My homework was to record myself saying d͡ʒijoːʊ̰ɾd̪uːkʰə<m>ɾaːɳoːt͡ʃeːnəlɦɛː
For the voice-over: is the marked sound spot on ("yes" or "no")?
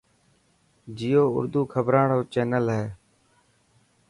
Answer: no